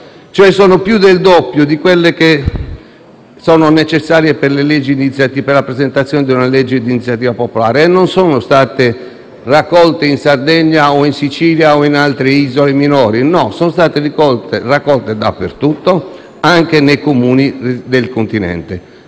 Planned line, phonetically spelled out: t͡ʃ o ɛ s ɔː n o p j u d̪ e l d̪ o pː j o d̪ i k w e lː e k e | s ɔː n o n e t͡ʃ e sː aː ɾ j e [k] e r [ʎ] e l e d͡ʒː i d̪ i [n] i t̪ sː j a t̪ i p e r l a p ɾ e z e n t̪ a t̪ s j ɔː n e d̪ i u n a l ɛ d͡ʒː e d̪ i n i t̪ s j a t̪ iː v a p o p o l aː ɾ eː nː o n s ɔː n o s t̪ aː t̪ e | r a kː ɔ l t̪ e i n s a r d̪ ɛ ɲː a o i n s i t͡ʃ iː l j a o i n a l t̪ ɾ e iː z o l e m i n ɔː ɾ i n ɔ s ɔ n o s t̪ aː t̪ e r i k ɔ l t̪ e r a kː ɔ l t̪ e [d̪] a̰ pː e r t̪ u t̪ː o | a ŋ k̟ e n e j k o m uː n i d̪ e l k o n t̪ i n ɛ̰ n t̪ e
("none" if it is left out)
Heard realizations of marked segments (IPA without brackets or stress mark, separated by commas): p, l, n, d̪